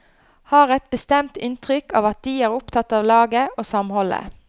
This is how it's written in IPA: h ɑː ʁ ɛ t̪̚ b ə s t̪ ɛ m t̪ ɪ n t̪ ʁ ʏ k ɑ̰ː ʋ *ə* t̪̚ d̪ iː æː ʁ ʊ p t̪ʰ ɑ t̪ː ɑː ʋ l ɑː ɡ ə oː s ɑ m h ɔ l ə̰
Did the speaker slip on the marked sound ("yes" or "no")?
yes